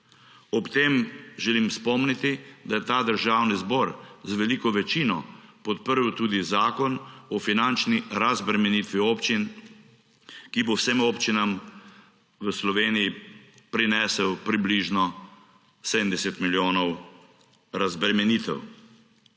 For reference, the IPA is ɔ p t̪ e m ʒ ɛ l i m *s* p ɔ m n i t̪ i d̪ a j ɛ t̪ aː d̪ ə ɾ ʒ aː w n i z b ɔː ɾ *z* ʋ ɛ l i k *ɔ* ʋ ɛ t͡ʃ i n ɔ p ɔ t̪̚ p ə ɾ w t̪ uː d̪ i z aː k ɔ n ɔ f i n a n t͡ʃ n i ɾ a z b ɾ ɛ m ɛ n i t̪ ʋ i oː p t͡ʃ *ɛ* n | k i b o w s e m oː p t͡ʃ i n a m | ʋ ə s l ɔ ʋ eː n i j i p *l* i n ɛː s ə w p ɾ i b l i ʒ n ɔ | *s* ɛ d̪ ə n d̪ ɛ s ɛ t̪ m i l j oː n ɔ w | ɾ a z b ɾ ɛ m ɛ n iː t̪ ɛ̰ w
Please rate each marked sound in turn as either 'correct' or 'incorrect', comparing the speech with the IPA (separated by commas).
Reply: correct, correct, correct, incorrect, incorrect, correct